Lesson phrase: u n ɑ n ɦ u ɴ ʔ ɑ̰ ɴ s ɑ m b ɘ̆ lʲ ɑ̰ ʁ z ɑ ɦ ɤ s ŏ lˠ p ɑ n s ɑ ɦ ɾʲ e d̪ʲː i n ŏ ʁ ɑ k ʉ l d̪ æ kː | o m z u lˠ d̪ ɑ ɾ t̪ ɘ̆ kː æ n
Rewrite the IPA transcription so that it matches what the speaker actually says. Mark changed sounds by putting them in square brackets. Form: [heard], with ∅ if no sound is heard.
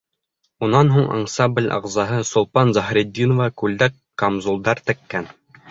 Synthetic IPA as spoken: u n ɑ n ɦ u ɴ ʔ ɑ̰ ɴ s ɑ m b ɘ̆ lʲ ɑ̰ ʁ z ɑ ɦ ɤ s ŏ lˠ p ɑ n [z] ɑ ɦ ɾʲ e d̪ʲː i n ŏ [v] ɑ k ʉ l d̪ æ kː | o m z u lˠ d̪ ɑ ɾ t̪ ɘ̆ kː æ n

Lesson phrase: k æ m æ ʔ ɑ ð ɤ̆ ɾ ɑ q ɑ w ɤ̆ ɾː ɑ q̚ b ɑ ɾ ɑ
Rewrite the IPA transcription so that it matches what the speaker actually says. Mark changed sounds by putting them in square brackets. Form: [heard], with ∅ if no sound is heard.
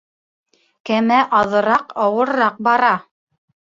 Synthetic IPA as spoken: k æ m æ ʔ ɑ ð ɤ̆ ɾ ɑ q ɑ w ɤ̆ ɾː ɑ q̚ b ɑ ɾ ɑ

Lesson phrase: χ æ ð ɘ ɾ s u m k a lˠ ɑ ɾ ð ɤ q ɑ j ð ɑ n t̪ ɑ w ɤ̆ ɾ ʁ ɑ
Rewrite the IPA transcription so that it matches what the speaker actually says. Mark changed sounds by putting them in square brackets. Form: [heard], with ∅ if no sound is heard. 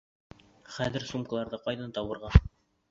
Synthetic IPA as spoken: χ æ ð ɘ ɾ s u m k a lˠ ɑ ɾ ð ɤ q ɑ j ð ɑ n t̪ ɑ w ɤ̆ ɾ ʁ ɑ

